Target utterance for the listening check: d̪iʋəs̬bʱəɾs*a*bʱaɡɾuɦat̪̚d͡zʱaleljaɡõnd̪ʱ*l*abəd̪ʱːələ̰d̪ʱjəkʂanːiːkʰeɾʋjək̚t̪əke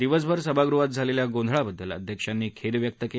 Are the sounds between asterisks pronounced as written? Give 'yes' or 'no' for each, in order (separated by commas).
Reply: no, no